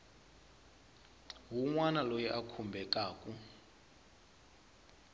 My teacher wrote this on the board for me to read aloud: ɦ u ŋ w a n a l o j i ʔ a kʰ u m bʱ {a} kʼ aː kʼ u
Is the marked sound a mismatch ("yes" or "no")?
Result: yes